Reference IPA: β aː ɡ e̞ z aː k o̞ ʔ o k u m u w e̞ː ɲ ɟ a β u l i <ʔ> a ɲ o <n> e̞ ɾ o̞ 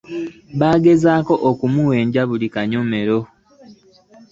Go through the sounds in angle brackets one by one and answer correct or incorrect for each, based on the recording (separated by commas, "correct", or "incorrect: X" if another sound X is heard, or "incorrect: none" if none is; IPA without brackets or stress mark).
incorrect: k, incorrect: m